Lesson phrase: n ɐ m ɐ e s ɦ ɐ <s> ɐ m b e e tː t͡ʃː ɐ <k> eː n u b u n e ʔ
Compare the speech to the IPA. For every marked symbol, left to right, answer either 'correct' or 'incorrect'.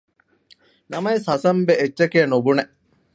correct, correct

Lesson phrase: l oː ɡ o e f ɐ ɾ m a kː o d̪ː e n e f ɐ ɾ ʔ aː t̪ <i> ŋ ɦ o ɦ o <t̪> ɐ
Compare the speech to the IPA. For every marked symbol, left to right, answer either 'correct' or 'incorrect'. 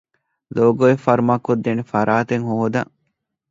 incorrect, incorrect

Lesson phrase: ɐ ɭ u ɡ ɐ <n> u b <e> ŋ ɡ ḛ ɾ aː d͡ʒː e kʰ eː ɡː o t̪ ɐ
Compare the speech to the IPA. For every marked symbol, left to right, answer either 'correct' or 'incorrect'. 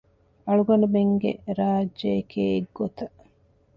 correct, correct

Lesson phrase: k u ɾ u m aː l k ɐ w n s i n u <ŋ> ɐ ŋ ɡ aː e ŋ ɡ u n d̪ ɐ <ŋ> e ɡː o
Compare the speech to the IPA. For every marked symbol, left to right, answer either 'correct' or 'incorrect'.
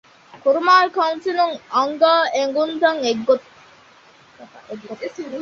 correct, correct

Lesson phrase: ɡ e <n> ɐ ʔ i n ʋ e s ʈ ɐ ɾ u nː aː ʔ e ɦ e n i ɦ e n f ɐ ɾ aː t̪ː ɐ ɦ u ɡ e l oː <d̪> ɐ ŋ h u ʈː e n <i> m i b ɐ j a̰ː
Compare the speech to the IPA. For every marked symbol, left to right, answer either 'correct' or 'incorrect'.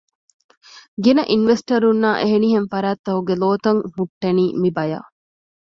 correct, incorrect, incorrect

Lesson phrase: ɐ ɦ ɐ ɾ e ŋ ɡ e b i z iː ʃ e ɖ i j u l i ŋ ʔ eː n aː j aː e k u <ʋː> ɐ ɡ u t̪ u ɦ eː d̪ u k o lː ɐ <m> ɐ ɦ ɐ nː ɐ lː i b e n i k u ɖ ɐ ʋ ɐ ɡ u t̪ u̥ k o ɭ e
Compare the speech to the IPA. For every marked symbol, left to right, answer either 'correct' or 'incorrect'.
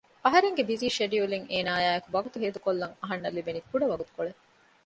incorrect, incorrect

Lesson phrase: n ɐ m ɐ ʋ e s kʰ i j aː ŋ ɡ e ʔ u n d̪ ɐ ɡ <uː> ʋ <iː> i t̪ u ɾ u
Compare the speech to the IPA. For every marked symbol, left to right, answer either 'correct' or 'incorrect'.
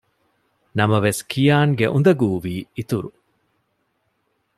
correct, correct

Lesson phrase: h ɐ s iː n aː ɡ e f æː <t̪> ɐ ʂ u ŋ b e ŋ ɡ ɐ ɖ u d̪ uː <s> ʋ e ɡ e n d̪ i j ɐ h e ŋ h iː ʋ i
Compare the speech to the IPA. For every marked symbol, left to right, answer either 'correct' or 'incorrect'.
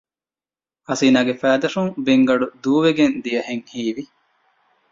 incorrect, incorrect

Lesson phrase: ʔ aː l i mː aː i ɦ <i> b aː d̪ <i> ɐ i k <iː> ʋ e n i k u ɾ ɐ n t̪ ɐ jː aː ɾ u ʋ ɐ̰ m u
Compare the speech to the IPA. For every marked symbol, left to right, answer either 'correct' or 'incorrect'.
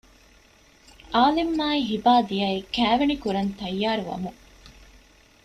correct, correct, incorrect

